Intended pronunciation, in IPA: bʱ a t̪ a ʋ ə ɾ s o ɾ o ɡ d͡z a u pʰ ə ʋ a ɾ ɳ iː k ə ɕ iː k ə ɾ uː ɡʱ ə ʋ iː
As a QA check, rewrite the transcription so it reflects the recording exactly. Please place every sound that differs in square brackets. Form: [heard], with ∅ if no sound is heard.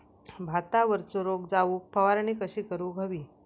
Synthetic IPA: bʱ a t̪ a ʋ ə ɾ [t͡s] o ɾ o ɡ d͡z a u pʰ ə ʋ a ɾ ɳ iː k ə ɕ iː k ə ɾ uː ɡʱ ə ʋ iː